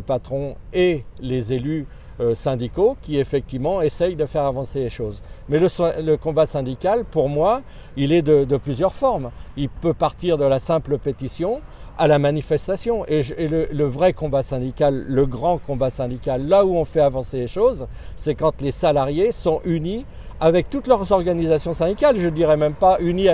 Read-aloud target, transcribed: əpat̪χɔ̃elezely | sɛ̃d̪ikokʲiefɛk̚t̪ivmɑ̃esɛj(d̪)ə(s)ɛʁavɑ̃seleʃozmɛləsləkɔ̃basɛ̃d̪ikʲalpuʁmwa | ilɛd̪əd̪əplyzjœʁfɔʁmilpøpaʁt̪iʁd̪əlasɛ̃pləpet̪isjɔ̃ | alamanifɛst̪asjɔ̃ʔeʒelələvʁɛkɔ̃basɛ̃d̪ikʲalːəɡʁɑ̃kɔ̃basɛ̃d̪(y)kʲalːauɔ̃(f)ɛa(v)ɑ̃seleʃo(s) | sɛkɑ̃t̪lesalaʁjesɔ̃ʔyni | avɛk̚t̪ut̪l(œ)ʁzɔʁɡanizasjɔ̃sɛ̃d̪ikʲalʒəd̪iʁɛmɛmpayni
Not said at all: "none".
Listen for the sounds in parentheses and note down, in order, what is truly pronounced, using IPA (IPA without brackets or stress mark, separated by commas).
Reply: d̪, f, i, f, v, z, œ